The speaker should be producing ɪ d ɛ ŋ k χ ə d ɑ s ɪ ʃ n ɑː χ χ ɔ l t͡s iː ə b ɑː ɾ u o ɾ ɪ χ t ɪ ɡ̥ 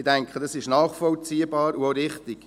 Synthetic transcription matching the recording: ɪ d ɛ ŋ k χ ə d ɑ s ɪ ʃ n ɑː χ f ɔ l t͡s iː ə b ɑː ɾ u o ɾ ɪ χ t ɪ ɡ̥